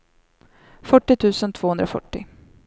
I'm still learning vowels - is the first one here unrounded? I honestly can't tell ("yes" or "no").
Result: no